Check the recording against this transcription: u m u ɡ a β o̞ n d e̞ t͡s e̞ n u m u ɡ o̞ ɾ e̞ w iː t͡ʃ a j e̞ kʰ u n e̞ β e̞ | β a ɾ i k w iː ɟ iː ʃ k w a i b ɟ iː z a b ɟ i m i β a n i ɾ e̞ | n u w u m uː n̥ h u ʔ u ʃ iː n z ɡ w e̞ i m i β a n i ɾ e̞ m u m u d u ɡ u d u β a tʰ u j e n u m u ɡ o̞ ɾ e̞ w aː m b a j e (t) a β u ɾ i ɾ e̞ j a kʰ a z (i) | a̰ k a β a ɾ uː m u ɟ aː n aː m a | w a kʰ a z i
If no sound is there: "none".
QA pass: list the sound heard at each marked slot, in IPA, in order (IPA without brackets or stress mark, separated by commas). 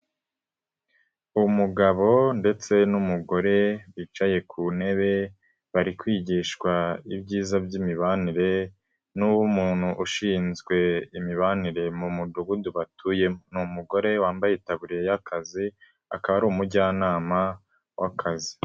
t, i